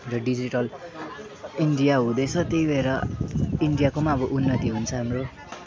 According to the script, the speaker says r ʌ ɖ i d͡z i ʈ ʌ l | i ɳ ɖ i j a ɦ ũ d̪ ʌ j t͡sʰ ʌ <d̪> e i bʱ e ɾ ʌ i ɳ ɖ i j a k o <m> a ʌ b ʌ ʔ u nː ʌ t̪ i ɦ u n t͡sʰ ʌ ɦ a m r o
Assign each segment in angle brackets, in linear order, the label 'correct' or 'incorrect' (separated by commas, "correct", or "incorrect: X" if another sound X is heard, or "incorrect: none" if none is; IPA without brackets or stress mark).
incorrect: t̪, correct